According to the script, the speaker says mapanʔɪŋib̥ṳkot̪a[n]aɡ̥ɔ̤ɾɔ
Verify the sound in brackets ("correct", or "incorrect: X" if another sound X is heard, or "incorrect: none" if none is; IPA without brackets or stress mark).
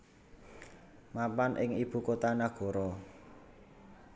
correct